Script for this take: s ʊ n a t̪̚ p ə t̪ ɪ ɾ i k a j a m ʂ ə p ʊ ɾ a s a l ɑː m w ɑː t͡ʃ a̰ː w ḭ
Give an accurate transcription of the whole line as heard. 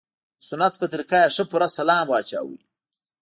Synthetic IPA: s ʊ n a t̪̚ p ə t̪ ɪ ɾ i k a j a ʂ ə p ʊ ɾ a s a l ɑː m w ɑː t͡ʃ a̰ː w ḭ